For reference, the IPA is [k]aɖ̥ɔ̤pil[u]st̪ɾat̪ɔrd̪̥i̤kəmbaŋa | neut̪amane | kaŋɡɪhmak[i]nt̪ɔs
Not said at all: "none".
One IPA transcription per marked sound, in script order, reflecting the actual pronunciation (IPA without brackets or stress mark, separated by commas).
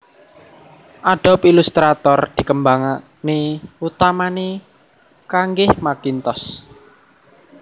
ʔ, u, i